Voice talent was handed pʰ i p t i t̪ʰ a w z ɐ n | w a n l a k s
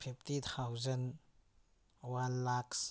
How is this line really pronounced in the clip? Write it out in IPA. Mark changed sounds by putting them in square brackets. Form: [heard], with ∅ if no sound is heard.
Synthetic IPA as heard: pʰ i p t i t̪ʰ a w z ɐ n | w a n l a k s